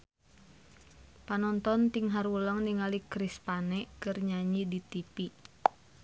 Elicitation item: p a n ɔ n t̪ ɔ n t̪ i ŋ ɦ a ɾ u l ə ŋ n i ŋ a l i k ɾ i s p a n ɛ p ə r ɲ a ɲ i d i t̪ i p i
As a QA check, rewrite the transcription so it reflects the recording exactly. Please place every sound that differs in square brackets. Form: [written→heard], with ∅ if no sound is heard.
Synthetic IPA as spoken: p a n ɔ n t̪ ɔ n t̪ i ŋ ɦ a ɾ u l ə ŋ n i ŋ a l i k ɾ i s p a n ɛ [p→k] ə r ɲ a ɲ i d i t̪ i p i